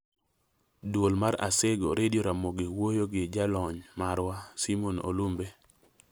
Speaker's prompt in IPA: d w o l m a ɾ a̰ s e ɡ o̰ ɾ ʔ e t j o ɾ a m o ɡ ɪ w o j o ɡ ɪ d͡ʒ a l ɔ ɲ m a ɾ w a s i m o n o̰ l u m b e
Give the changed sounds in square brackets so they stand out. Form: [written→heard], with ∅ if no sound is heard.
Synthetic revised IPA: d w o l m a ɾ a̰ s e ɡ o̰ ɾ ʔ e [t→d] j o ɾ a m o ɡ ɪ w o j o ɡ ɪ d͡ʒ a l ɔ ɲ m a ɾ w a s i m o n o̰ l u m b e